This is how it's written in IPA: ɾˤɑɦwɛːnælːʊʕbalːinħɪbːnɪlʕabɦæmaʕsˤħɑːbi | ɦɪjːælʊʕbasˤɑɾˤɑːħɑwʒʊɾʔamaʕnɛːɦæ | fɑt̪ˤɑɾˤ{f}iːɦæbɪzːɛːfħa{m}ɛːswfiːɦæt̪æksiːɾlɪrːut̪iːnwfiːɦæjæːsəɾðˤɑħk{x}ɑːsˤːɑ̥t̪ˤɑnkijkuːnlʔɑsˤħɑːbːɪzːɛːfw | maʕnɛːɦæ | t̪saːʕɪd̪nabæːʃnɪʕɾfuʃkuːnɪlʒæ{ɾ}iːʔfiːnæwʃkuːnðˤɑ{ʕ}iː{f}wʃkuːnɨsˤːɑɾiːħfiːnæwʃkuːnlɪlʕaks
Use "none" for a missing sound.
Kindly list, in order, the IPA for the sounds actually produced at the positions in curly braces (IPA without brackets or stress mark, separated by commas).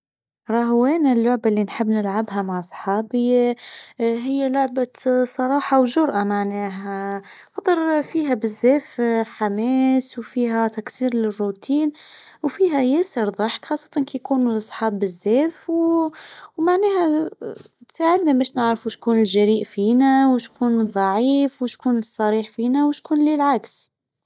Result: f, m, x, ɾ, ʕ, f